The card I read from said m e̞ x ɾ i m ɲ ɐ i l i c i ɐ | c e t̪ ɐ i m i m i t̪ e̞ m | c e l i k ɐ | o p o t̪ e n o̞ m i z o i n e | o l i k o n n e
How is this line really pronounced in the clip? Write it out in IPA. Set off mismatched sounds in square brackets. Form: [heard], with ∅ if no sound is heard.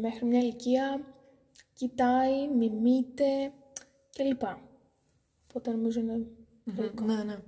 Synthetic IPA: m e̞ x ɾ i m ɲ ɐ i l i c i ɐ | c [i] t̪ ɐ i m i m i t̪ e̞ [∅] | c e l i [p] ɐ | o p o t̪ e n o̞ m i z o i n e | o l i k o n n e